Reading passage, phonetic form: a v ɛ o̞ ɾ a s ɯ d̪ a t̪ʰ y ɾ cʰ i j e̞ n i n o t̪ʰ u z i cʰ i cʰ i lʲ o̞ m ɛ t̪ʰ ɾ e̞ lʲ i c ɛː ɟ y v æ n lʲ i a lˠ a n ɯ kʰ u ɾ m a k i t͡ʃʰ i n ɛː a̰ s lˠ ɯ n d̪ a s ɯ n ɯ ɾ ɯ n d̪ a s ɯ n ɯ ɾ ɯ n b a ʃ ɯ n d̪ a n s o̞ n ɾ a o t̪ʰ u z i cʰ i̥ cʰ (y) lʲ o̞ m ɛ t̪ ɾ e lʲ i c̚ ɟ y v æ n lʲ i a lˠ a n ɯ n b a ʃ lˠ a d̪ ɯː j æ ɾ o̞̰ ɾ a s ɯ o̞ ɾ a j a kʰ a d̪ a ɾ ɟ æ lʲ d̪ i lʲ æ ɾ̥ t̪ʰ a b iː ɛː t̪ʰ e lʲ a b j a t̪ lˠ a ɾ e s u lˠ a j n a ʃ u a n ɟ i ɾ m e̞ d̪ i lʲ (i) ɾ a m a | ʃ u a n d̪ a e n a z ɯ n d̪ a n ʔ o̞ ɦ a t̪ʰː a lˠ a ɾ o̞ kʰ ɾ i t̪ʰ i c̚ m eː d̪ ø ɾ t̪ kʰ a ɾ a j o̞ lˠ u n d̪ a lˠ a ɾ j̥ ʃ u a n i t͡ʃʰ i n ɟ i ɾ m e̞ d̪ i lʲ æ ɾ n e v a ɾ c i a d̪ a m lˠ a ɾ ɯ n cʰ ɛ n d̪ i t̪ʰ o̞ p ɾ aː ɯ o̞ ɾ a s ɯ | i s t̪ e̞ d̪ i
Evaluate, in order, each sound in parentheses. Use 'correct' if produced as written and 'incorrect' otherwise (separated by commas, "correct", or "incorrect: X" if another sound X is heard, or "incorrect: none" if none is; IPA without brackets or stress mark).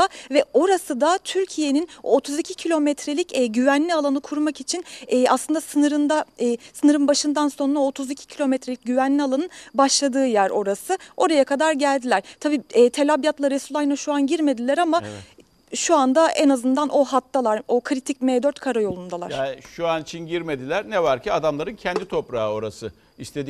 incorrect: i, incorrect: æ